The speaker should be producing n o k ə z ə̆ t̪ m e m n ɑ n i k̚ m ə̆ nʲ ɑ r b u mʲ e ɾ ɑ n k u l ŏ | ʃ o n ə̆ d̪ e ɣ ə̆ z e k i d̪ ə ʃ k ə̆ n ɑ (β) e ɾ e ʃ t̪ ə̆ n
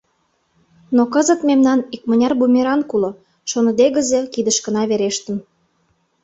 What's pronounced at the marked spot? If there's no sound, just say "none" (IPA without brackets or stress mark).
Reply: β